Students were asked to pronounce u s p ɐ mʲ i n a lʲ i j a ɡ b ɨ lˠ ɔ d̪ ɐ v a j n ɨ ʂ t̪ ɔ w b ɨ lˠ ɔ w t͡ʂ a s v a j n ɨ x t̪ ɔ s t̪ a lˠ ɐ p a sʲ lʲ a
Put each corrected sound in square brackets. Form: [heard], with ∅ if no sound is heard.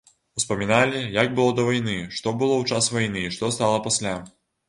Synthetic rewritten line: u s p ɐ mʲ i n a lʲ i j a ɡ b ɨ lˠ ɔ d̪ ɐ v a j n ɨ ʂ t̪ ɔ [∅] b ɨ lˠ ɔ w t͡ʂ a s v a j n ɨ [ʂ] t̪ ɔ s t̪ a lˠ ɐ p a sʲ lʲ a